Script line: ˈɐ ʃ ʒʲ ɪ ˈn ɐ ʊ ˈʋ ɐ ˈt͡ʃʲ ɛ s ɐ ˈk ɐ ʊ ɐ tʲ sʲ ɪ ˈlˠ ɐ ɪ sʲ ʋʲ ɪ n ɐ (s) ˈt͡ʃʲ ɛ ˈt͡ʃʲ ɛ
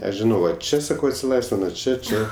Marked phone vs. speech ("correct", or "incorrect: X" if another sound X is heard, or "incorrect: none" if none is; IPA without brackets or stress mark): incorrect: none